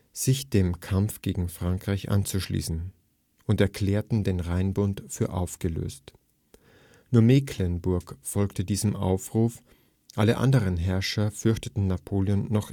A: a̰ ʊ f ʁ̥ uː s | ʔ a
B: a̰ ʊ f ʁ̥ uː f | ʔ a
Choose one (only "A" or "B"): B